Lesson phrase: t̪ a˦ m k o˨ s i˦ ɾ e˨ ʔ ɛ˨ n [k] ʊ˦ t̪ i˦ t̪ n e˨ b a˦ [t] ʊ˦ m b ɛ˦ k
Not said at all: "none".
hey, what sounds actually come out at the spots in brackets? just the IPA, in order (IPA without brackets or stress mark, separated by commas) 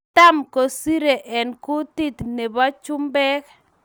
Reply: k, t͡ʃ